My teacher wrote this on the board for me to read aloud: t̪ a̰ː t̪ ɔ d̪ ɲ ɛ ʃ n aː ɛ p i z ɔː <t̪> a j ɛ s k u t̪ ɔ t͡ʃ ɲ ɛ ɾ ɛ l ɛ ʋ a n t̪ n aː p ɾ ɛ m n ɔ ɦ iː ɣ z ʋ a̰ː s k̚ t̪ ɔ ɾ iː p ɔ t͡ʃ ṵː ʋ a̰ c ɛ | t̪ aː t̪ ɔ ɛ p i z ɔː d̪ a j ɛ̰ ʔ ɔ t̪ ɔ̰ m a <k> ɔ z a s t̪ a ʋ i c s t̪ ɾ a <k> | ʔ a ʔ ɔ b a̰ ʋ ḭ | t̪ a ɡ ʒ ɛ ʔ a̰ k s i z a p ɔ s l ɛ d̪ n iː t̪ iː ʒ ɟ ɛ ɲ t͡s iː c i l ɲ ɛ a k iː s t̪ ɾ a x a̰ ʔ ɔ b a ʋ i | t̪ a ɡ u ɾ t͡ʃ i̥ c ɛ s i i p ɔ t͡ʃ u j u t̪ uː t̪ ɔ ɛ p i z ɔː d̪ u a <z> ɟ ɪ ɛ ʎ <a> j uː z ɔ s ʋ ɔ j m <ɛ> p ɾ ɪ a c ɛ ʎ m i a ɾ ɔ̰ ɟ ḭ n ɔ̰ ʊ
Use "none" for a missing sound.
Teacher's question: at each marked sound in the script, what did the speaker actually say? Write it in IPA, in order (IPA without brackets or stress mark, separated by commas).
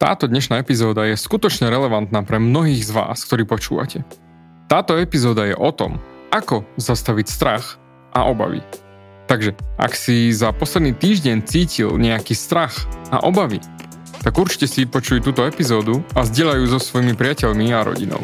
d̪, k, x, z, a, i